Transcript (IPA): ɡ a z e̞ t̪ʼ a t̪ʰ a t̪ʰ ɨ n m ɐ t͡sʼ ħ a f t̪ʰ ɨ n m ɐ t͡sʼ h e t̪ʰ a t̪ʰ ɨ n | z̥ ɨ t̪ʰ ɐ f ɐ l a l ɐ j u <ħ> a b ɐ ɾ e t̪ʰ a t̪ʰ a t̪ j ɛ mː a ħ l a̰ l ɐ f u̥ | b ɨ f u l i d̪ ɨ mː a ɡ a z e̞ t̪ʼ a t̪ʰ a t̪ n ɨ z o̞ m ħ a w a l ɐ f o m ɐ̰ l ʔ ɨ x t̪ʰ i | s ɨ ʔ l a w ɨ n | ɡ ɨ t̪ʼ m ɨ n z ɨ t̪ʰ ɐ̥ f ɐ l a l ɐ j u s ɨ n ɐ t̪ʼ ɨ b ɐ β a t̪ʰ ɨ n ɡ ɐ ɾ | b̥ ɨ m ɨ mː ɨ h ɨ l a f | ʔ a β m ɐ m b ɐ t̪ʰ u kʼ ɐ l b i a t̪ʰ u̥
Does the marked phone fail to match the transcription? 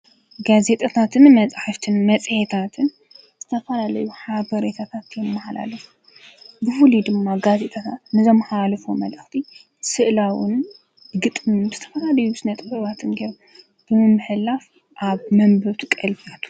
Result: no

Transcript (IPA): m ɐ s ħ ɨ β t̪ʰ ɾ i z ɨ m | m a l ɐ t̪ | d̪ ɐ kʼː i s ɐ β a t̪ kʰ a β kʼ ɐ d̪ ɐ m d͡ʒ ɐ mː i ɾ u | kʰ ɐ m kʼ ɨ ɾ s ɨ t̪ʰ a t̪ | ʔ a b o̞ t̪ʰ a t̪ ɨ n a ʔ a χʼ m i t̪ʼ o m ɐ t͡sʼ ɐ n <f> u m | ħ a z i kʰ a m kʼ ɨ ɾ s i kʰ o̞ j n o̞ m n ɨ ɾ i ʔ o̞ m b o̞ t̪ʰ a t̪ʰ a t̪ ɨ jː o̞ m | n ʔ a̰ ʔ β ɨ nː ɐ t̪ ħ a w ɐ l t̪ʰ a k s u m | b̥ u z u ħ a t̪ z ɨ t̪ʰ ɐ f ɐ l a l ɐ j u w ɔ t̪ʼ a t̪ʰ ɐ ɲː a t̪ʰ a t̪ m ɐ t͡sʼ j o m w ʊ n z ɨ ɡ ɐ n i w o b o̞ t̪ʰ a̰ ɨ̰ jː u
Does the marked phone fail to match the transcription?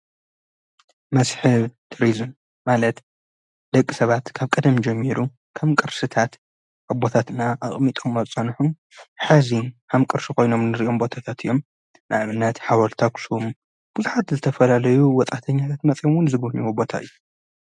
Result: yes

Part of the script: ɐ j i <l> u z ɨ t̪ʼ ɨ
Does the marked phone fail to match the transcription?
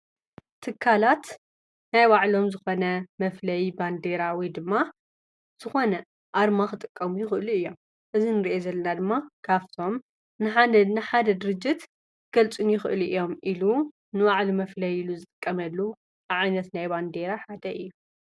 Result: no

